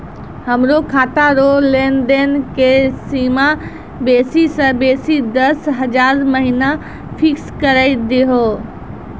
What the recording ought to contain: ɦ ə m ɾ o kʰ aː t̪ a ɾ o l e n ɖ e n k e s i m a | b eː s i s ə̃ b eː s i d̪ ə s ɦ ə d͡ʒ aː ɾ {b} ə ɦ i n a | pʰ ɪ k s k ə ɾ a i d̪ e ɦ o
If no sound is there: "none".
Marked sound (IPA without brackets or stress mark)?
m